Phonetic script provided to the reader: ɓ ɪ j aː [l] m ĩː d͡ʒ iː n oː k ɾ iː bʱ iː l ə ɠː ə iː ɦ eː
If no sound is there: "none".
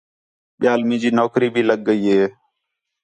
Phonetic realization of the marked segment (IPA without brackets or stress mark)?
l